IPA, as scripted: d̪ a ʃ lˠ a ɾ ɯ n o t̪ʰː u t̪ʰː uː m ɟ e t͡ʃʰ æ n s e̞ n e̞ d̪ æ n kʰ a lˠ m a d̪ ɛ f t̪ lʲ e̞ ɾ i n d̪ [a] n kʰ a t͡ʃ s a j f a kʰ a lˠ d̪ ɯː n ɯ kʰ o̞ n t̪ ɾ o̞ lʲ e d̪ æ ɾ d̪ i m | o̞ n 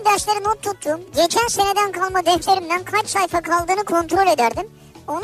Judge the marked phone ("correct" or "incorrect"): incorrect